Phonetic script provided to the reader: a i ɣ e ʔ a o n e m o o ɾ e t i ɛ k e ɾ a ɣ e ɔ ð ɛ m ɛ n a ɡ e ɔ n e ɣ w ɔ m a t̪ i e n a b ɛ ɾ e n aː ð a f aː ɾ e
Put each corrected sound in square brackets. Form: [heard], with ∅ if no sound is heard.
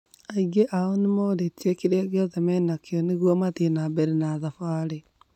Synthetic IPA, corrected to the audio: a i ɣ e ʔ a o n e m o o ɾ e t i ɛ k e ɾ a ɣ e ɔ ð ɛ m ɛ n a [k] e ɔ n e ɣ w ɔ m a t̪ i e n a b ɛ ɾ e n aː ð a f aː ɾ e